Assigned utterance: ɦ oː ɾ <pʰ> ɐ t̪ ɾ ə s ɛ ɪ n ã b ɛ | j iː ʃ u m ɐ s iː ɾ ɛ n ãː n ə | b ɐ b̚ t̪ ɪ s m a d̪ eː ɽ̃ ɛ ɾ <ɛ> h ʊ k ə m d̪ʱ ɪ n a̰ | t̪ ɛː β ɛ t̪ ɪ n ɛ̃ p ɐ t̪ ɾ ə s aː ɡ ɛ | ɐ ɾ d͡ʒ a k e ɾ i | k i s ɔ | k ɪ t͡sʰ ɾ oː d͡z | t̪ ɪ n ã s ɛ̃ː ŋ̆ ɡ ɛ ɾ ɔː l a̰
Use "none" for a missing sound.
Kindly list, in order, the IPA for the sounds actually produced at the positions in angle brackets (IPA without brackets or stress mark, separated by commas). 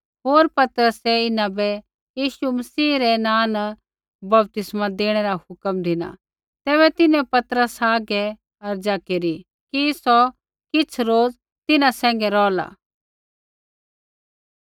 p, a